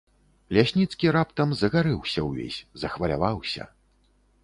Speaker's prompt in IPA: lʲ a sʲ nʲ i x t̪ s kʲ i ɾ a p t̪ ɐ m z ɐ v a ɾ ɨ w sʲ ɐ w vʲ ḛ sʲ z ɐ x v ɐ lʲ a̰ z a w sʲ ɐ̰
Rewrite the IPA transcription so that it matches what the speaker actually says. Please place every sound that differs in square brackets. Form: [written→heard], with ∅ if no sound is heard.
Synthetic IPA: lʲ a sʲ nʲ i [x→∅] t̪ s kʲ i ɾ a p t̪ ɐ m z ɐ [v→ɣ] a ɾ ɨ w sʲ ɐ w vʲ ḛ sʲ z ɐ x v ɐ lʲ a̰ [z→v] a w sʲ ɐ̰